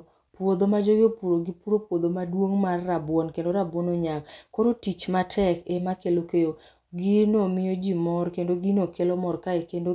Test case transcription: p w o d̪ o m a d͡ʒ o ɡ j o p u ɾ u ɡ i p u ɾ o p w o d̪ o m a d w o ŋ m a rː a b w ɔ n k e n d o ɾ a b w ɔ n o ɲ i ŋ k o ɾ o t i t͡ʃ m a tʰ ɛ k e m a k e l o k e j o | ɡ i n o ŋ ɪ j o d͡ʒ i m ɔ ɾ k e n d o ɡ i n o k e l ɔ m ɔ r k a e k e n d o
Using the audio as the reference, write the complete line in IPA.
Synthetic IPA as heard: p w o d̪ o m a d͡ʒ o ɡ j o p u ɾ o ɡ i p u ɾ o p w o d̪ o m a d w o ŋ m a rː a b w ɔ n k e n d o ɾ a b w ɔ n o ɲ a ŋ k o ɾ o t i t͡ʃ m a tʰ ɛ k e m a k e l o k e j o | ɡ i n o m ɪ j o d͡ʒ i m ɔ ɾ k e n d o ɡ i n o k e l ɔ m ɔ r k a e k e n d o